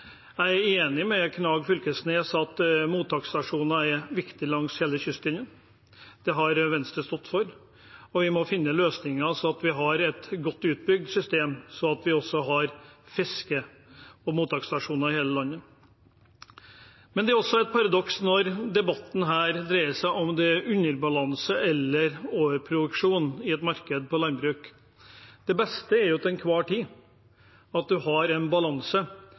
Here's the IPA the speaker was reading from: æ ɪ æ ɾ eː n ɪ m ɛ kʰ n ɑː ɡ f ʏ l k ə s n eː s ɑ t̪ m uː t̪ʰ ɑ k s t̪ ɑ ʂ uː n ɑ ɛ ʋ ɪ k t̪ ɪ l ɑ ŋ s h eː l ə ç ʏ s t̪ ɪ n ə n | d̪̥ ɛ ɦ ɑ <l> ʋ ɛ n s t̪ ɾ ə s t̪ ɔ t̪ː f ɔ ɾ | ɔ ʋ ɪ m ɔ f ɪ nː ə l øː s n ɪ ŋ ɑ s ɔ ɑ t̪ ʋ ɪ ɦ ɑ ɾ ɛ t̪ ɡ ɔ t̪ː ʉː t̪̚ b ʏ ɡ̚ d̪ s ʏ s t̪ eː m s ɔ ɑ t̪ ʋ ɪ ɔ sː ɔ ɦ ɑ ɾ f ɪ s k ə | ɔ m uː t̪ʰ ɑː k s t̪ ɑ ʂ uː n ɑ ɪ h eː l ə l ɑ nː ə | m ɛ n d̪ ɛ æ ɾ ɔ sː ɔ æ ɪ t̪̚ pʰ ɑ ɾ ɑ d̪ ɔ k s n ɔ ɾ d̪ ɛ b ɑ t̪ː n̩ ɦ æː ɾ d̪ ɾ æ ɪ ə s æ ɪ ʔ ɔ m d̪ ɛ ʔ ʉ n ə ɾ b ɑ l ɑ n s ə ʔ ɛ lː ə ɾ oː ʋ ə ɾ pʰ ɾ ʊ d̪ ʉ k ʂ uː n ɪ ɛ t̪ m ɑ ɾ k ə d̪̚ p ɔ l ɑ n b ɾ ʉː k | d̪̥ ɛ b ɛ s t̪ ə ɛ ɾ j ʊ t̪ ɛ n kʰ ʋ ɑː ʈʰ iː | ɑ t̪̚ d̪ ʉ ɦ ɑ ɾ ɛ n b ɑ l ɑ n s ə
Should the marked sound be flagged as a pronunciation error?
yes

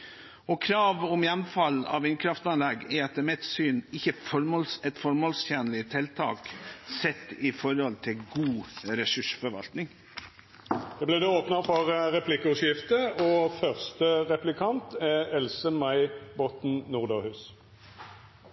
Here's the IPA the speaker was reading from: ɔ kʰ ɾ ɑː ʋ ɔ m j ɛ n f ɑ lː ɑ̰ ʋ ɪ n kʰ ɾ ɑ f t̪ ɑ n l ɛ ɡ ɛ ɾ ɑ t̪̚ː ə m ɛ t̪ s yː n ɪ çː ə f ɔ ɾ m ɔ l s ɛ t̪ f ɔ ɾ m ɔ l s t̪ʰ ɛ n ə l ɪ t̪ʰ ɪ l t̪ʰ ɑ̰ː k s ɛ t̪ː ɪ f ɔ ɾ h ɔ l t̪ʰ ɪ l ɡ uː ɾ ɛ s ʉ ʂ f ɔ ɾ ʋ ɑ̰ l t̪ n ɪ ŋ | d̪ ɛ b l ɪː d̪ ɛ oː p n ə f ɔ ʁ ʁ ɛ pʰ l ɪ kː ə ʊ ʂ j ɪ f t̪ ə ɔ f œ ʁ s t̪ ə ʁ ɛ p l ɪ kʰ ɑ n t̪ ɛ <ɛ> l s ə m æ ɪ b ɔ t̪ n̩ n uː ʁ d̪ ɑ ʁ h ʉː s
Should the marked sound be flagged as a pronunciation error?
no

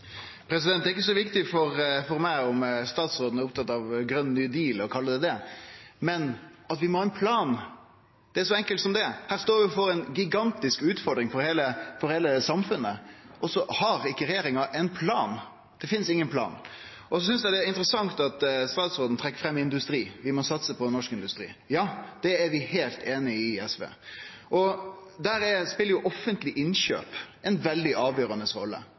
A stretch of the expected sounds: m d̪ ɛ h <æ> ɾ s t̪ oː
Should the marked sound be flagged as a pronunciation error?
yes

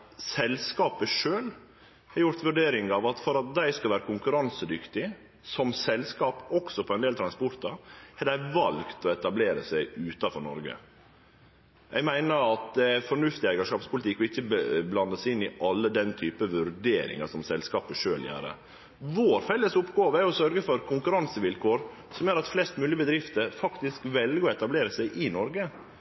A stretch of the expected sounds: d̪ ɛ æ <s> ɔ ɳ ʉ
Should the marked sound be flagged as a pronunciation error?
yes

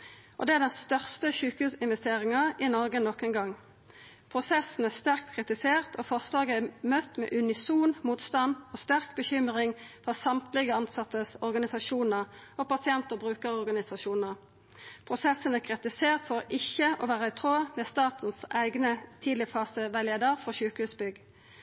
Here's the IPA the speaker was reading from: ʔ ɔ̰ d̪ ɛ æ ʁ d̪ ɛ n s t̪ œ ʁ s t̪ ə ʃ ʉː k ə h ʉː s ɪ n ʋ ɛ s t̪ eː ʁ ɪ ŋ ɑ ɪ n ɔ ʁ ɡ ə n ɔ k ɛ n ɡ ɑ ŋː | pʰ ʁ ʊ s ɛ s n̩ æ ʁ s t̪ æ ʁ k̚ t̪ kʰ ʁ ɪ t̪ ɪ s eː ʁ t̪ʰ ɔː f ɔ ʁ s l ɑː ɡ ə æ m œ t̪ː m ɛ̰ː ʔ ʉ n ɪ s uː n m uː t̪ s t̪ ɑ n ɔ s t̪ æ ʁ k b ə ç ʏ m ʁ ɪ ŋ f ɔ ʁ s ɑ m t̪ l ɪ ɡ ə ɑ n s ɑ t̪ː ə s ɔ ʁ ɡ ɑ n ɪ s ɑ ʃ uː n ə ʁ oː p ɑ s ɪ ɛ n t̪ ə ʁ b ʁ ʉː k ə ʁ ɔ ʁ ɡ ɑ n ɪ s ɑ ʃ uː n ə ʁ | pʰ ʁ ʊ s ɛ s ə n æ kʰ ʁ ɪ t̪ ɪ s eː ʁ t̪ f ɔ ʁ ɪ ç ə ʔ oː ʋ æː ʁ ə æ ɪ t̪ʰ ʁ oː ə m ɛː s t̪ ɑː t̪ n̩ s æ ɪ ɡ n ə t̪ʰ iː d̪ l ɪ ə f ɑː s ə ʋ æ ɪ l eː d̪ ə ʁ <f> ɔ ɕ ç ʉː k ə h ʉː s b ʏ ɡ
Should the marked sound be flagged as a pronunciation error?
no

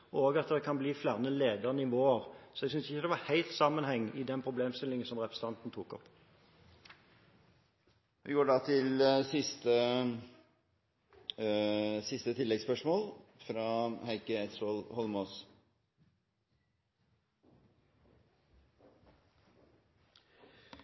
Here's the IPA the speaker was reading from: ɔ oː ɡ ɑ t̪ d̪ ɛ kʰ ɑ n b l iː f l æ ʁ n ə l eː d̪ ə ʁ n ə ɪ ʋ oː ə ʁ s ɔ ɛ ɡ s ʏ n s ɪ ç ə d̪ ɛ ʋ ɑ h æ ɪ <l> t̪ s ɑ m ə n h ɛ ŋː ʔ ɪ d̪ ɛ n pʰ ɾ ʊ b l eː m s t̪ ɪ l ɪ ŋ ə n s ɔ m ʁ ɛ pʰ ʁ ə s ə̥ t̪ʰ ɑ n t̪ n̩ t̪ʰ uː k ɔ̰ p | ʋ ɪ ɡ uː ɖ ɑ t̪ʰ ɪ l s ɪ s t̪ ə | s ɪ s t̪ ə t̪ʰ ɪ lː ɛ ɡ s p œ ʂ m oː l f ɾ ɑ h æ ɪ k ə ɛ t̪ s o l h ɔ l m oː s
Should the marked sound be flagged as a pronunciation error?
no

